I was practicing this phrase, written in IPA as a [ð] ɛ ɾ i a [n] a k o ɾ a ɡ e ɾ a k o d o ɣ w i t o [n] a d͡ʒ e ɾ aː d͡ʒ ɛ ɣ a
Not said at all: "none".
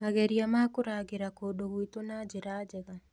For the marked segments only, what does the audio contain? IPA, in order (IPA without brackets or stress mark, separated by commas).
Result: ɣ, m, n